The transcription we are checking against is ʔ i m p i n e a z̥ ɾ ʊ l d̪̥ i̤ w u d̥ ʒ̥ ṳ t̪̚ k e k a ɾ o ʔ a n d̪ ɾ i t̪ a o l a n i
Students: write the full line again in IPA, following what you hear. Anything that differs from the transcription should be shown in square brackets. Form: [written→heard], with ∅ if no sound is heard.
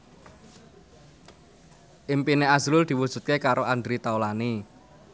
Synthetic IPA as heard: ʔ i m p i n e a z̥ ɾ ʊ l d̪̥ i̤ w u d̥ ʒ̥ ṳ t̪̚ k e k a ɾ o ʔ a n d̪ ɾ i t̪ a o l a n i